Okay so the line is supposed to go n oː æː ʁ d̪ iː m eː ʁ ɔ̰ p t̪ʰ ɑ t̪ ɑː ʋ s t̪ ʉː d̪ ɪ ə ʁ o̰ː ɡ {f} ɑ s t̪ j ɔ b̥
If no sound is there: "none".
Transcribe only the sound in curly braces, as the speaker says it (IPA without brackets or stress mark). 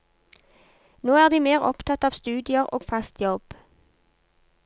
f